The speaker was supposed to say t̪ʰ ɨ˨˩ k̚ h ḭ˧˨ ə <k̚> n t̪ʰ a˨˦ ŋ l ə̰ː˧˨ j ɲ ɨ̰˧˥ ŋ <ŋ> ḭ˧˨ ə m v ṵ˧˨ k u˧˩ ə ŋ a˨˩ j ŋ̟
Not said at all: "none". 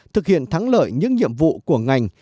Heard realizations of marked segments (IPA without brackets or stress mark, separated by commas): none, ɲ